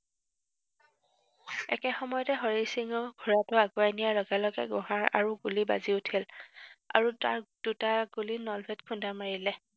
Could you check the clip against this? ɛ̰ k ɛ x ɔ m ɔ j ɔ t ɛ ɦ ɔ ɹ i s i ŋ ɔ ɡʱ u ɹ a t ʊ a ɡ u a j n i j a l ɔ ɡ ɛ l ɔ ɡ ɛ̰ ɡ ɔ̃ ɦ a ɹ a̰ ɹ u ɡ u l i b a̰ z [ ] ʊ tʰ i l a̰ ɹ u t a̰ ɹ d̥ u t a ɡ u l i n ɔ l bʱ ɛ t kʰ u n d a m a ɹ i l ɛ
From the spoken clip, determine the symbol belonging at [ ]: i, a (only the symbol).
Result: i